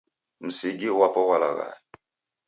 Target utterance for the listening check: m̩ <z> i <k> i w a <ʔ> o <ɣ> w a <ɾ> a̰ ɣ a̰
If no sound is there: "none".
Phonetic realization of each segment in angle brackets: s, ɡ, p, none, l

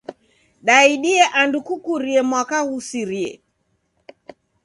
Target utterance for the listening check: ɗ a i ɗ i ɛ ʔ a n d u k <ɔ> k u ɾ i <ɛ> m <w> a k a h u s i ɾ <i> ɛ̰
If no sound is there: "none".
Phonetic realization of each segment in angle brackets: u, ɛ, w, i

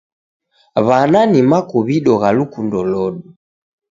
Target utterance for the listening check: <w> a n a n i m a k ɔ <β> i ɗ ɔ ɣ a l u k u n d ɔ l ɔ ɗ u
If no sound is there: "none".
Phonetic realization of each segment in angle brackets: β, β

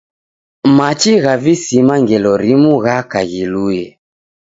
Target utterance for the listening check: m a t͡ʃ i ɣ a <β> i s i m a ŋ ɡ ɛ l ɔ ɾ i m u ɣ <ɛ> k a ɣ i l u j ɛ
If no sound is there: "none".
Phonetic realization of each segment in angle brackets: v, a

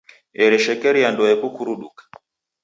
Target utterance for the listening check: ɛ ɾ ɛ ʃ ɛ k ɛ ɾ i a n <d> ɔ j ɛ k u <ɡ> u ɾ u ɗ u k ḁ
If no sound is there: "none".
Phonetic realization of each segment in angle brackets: d, k

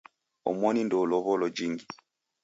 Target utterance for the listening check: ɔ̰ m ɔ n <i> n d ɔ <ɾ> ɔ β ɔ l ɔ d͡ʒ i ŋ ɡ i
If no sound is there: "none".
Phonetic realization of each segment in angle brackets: i, l

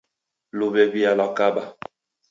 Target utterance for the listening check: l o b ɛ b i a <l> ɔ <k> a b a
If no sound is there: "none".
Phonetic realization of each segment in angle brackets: l, k

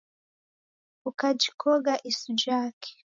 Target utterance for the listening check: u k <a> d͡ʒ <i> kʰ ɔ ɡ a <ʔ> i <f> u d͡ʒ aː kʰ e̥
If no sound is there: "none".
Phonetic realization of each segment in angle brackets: a, i, ʔ, s

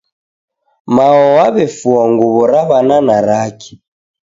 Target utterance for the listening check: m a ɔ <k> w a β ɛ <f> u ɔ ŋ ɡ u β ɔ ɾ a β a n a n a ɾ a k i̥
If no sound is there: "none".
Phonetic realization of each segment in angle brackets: none, f

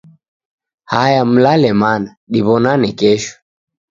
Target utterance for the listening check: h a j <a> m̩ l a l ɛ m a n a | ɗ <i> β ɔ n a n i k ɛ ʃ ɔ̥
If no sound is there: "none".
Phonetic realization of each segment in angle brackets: a, i

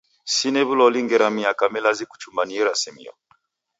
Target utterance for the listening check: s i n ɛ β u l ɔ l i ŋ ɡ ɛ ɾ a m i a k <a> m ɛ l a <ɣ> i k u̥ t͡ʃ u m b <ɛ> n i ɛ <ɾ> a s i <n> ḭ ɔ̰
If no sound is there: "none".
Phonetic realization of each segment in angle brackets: a, z, a, ɾ, m

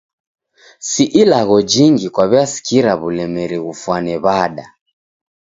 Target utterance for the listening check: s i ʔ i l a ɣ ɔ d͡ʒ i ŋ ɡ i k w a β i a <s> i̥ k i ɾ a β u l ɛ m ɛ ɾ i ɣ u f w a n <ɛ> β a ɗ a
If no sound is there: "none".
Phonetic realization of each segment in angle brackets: s, ɛ

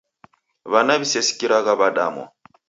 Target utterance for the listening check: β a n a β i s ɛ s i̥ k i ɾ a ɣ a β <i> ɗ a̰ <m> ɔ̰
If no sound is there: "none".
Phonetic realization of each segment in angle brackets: a, m

